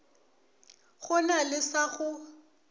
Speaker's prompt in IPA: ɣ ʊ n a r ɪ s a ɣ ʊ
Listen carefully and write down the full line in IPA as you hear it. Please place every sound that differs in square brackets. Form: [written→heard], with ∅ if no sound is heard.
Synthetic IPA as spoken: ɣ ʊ n a [r→l] ɪ s a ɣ ʊ